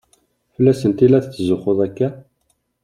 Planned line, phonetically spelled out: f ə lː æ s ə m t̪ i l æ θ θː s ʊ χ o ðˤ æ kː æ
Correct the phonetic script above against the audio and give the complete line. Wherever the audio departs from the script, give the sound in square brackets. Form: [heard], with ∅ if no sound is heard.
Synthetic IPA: f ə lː æ s ə [n] t̪ i l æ θ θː [z] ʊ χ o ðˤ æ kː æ